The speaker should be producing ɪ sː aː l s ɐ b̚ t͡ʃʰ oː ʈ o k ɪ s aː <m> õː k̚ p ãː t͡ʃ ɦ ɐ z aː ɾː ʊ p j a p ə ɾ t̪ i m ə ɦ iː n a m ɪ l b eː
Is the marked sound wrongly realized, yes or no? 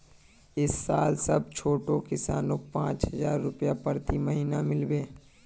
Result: yes